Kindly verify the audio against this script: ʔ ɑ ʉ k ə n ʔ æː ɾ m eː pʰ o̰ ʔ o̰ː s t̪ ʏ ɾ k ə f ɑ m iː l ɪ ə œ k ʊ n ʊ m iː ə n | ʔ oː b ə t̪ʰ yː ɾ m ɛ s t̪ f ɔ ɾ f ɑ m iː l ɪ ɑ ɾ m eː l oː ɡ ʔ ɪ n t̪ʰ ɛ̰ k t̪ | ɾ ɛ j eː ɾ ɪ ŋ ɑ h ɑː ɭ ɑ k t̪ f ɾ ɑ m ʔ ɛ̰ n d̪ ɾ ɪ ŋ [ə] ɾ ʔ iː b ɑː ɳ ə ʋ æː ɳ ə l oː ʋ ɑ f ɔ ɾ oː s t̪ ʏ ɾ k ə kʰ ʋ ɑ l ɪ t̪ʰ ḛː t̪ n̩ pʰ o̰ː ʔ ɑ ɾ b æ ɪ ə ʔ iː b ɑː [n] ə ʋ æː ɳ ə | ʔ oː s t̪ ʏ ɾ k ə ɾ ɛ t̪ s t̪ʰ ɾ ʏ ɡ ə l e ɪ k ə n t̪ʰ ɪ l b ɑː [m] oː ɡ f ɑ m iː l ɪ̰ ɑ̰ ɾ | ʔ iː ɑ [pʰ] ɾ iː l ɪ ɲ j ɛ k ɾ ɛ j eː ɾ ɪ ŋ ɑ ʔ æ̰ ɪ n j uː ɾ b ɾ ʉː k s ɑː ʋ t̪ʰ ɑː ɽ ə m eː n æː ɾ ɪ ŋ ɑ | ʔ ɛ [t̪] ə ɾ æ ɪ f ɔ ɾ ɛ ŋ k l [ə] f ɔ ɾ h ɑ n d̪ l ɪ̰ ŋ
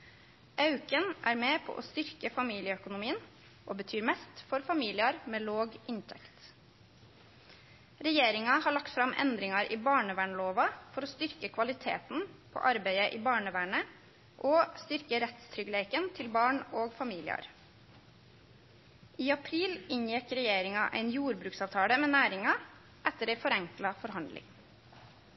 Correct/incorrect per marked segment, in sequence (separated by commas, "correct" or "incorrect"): incorrect, incorrect, incorrect, correct, correct, incorrect